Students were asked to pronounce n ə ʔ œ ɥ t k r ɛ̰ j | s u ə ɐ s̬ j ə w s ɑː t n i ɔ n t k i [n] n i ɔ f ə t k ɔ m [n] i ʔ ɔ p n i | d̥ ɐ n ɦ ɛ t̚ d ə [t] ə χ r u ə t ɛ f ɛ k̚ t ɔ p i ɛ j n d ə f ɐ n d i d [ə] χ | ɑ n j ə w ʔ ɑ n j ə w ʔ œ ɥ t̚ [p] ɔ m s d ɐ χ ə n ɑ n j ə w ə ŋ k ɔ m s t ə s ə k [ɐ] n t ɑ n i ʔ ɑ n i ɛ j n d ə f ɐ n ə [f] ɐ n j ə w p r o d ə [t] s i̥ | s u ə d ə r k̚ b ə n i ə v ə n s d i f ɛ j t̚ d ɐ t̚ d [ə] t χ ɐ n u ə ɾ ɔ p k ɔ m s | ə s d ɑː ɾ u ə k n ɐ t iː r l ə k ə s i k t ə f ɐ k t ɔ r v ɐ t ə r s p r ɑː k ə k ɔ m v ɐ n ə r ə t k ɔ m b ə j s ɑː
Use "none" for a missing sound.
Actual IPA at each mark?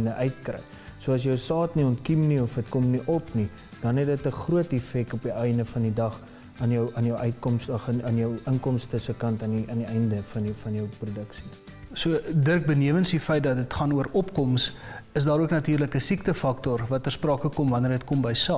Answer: m, n, t, ɐ, k, ɐ, f, k, ə

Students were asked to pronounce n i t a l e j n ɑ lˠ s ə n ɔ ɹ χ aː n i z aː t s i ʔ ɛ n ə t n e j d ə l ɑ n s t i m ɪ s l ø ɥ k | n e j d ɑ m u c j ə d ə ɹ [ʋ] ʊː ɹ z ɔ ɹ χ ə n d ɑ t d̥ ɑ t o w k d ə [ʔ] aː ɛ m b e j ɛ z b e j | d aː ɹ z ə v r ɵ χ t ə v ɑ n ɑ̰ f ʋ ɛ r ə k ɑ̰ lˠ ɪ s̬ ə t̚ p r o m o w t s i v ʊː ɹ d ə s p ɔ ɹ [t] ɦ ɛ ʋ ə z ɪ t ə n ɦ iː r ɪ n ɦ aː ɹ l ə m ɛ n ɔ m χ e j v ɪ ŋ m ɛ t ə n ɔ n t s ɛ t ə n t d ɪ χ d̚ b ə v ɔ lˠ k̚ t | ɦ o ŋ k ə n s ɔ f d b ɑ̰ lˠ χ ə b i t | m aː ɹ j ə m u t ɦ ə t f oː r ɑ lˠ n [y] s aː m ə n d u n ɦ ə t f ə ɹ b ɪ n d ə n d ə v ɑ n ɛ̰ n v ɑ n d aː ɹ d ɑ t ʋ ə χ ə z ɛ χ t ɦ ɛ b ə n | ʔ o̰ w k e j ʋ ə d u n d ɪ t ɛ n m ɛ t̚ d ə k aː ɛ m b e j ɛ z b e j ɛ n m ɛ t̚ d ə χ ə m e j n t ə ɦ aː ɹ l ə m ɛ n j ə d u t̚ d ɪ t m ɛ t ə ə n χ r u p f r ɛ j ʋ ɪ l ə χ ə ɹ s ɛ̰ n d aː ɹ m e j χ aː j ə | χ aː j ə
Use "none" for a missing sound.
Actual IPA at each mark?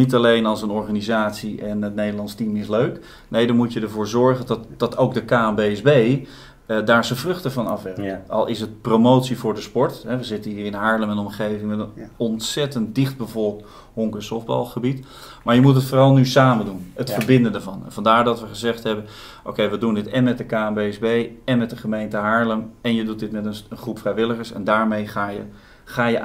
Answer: v, k, t, y

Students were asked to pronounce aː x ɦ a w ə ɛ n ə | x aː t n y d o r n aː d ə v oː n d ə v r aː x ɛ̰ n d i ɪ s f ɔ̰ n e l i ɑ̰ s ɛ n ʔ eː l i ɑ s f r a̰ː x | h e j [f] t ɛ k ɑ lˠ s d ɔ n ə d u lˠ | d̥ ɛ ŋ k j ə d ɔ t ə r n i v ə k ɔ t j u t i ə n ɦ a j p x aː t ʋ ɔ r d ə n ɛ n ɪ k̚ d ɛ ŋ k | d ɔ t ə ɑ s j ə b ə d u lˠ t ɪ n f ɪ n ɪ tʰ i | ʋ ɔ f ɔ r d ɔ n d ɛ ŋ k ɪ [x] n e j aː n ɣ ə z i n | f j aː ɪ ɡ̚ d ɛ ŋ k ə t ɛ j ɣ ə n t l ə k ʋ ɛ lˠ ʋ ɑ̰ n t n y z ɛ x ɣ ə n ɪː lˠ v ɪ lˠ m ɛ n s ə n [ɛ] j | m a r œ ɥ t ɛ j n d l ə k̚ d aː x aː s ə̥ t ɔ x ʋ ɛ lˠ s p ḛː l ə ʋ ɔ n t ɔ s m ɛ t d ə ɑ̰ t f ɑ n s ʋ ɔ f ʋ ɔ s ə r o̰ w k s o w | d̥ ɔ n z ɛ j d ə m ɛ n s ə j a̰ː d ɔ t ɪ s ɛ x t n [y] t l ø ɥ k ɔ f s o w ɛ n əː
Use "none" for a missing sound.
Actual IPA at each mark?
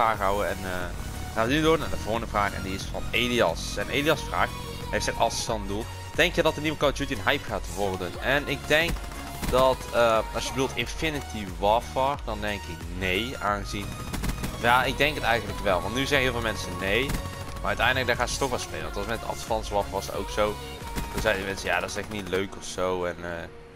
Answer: f, k, e, i

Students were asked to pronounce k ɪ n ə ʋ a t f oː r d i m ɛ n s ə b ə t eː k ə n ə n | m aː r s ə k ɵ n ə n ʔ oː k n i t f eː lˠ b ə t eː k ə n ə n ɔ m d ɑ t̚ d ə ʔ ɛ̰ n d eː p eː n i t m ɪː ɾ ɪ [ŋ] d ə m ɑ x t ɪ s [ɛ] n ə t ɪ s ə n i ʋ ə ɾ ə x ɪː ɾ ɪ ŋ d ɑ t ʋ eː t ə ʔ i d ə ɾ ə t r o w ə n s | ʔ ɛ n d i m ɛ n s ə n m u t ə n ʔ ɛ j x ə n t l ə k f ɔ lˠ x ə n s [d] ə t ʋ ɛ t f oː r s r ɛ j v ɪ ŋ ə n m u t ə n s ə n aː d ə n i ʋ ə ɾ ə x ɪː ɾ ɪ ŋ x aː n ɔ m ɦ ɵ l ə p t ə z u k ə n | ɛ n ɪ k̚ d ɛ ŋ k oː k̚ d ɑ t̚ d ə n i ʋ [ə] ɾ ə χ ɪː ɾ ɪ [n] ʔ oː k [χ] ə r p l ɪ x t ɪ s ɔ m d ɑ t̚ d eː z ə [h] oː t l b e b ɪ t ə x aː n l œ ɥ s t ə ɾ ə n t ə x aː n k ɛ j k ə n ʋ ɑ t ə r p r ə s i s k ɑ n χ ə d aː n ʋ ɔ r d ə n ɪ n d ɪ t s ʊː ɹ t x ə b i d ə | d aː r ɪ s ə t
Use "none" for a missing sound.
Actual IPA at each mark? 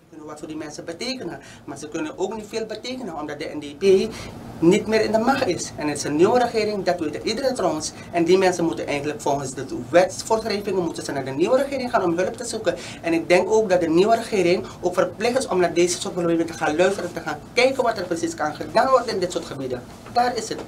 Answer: n, ɛ, d, ə, ŋ, f, s

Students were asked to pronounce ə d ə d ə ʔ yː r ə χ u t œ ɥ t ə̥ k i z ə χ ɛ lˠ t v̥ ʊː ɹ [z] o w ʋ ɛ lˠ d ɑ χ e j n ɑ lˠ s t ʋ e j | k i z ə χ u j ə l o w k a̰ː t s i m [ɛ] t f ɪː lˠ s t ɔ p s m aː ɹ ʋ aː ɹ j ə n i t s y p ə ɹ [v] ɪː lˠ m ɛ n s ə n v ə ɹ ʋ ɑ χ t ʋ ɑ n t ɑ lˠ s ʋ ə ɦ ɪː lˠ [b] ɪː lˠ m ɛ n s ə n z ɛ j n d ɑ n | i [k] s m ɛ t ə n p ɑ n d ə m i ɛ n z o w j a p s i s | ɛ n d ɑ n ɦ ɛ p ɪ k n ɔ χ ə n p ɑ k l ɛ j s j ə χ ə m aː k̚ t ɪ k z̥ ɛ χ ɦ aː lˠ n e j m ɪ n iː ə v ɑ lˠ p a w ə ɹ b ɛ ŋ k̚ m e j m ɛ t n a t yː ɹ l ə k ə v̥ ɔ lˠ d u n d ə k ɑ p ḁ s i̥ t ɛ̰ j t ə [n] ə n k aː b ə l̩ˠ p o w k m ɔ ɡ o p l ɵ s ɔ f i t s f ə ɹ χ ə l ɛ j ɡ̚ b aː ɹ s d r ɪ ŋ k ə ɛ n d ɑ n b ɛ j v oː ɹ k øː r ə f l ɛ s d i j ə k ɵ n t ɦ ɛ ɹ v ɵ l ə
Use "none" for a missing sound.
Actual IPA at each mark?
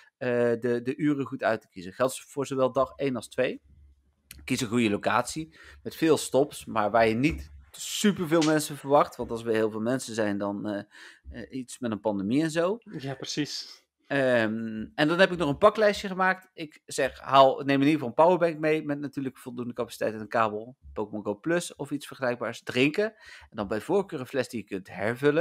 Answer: z, ɛ, v, v, t, n

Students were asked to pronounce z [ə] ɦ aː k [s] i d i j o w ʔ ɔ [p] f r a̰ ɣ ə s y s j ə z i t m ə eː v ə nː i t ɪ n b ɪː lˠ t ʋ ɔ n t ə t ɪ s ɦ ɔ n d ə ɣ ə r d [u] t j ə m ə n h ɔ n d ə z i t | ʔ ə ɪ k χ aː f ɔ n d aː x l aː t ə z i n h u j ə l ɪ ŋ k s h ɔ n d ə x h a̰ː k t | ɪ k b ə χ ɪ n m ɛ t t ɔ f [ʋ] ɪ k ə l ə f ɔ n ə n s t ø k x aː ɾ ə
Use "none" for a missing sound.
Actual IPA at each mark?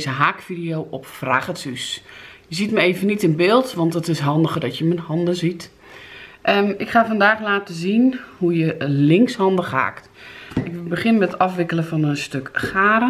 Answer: ə, f, p, ɔ, ʋ

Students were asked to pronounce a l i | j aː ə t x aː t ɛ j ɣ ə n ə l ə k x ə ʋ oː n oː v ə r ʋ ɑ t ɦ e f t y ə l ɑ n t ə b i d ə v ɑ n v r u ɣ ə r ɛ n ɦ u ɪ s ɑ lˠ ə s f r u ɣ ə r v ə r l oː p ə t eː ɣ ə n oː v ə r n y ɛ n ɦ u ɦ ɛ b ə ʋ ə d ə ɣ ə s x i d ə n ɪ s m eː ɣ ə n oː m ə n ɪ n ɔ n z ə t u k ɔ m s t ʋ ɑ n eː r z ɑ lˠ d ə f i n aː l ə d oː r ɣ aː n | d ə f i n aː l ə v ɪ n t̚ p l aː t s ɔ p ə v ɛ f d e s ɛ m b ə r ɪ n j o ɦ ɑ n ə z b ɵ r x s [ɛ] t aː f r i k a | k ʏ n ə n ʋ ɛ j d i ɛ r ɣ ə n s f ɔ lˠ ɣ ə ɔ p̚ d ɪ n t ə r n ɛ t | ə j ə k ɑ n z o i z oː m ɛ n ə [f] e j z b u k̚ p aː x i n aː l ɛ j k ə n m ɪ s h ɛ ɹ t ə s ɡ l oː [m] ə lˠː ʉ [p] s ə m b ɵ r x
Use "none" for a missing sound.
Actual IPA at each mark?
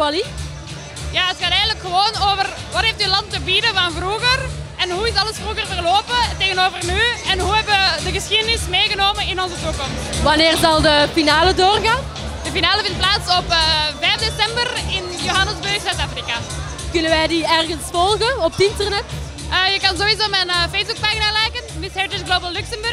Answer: œ, f, b, k

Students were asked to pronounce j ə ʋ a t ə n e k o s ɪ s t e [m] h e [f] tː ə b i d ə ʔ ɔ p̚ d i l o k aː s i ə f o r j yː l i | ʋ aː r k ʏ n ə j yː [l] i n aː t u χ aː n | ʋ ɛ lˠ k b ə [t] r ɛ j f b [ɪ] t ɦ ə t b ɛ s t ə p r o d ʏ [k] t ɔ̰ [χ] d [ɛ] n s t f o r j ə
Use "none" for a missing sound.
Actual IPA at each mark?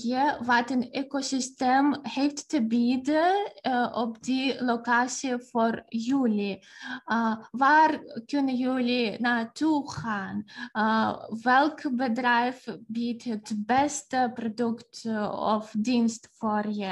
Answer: m, f, l, d, i, k, f, i

